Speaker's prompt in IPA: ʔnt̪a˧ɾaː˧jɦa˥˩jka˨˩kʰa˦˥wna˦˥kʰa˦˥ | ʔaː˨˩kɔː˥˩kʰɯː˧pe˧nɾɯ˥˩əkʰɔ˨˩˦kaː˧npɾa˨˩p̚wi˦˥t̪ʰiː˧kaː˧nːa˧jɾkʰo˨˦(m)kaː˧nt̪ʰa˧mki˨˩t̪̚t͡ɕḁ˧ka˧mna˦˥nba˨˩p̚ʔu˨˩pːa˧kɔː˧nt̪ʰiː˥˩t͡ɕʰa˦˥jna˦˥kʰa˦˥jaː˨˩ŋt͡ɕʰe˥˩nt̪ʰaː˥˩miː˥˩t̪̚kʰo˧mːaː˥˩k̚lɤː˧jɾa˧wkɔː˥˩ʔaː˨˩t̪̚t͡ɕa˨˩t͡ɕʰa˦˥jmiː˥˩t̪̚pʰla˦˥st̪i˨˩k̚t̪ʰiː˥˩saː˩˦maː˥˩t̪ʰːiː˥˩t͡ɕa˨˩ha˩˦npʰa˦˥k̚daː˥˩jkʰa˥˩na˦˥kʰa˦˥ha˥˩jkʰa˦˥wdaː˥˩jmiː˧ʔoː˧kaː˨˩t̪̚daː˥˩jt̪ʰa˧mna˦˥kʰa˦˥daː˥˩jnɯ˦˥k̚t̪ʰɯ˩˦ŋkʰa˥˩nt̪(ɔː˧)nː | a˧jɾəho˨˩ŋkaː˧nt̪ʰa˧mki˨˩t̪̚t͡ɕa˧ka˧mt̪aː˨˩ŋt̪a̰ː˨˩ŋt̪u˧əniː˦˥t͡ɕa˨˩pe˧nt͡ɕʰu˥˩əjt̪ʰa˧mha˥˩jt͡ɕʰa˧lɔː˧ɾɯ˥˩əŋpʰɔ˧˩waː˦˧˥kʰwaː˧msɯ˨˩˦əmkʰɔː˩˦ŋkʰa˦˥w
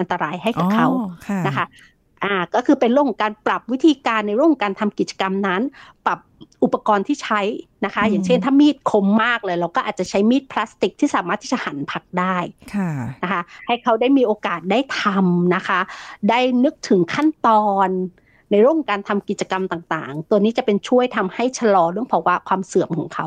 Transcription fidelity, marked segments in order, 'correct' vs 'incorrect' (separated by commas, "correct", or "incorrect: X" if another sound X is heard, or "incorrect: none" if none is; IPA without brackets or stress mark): incorrect: ŋ, correct